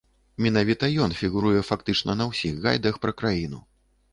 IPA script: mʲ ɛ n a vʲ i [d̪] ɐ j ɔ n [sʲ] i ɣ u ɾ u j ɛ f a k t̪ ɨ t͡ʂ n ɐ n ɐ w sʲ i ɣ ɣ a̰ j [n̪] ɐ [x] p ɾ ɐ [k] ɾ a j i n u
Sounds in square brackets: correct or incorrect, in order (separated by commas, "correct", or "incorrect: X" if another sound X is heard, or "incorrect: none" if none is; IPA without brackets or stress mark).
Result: incorrect: t̪, incorrect: fʲ, incorrect: d̪, correct, correct